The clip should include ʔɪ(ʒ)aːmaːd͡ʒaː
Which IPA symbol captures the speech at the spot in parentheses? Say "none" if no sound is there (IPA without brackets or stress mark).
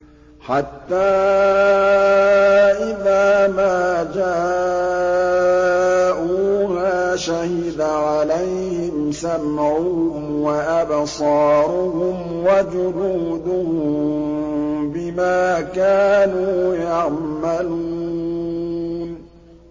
ð